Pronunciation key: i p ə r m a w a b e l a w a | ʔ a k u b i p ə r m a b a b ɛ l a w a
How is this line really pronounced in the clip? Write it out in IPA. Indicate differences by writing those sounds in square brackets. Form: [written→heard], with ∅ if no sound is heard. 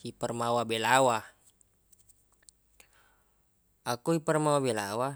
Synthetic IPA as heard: i p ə r m a w a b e l a w a | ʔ a k u [b→∅] i p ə r m a [b→w] a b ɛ l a w a

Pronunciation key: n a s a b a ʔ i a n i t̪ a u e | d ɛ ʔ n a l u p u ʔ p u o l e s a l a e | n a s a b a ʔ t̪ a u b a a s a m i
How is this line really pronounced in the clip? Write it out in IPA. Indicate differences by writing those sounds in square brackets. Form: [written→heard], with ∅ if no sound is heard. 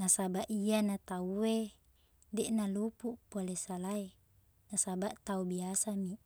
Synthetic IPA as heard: n a s a b a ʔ i a n [i→a] t̪ a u e | d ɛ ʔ n a l u p u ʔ p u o l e s a l a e | n a s a b a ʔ t̪ a u b [a→i] a s a m i

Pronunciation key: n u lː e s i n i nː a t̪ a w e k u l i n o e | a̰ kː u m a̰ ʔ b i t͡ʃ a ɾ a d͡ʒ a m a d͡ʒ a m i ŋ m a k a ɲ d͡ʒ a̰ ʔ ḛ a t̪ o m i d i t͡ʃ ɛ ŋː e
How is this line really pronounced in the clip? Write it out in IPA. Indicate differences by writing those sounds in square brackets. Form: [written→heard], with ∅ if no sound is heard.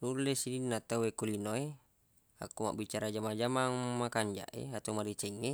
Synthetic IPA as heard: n u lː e s i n i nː a t̪ a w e k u l i n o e | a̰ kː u m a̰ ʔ b i t͡ʃ a ɾ a d͡ʒ a m a d͡ʒ a m [i→a] ŋ m a k a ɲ d͡ʒ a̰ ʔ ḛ a t̪ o m [i→a] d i t͡ʃ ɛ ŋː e

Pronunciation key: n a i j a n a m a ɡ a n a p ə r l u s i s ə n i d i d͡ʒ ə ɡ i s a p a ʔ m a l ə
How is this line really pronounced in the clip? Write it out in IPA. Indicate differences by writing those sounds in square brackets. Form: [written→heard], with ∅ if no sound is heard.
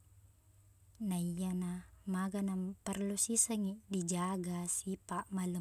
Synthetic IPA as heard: n a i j a n a m a ɡ a n a p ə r l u s i s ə [n→ŋ] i d i d͡ʒ [ə→a] ɡ [i→a] s [a→i] p a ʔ m a l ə

